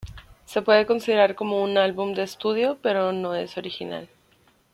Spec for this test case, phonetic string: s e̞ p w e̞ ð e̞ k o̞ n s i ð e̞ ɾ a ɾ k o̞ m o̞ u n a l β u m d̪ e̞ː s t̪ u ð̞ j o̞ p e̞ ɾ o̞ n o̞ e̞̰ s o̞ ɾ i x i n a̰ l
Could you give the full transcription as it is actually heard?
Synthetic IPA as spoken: s e̞ p w e̞ ð e̞ k o̞ n s i ð e̞ ɾ a ɾ k o̞ m o̞ u n a l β u m d̪ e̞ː s t̪ u ð̞ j o̞ p e̞ ɾ o̞ n o̞ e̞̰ s o̞ ɾ i x i n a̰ l